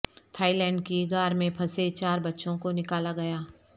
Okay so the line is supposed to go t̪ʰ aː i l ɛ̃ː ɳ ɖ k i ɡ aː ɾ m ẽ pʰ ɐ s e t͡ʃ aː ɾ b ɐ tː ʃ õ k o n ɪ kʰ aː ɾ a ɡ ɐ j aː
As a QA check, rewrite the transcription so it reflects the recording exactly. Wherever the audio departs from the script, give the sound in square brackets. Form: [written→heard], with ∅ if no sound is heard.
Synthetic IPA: t̪ʰ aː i l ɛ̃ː ɳ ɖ k i ɡ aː ɾ m ẽ pʰ ɐ s e t͡ʃ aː ɾ b ɐ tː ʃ õ k o n ɪ [kʰ→k] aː [ɾ→l] a ɡ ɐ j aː